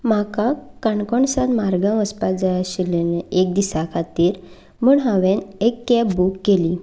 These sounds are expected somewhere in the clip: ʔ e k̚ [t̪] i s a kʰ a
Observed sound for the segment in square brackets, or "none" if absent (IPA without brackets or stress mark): d̪